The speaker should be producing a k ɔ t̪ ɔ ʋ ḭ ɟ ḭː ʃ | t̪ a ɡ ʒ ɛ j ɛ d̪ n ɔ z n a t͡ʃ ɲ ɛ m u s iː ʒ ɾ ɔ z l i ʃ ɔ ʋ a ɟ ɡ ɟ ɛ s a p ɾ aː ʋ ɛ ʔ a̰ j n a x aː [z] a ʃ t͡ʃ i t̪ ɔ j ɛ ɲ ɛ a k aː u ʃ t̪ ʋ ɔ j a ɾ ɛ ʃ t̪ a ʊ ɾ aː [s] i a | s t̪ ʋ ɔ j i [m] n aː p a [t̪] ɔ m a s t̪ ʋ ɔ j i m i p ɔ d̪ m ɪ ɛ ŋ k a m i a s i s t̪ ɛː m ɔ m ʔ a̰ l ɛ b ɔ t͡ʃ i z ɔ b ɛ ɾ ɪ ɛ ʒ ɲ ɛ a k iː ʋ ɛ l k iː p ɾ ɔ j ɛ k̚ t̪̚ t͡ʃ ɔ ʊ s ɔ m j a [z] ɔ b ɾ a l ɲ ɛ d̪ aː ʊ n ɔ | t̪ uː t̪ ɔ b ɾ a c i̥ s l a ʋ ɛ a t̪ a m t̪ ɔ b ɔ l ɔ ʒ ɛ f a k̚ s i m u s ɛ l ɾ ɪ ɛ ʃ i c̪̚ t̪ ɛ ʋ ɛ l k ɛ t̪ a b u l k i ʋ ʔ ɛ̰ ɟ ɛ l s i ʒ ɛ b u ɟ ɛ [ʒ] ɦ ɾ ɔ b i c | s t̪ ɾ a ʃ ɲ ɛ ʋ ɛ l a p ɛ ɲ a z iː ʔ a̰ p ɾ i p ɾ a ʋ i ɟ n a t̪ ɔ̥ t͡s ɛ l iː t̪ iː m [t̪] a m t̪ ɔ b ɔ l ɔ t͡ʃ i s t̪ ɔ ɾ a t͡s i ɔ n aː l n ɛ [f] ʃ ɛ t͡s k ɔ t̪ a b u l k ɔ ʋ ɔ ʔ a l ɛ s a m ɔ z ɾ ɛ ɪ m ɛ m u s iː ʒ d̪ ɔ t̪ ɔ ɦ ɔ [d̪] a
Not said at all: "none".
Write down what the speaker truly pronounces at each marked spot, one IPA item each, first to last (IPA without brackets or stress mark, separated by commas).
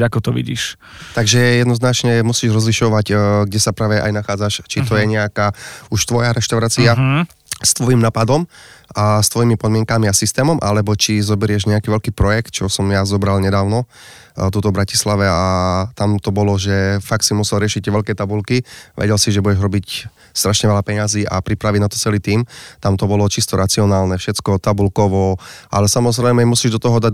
d͡z, t͡s, m, d̪, z, ʒ, t̪, f, d̪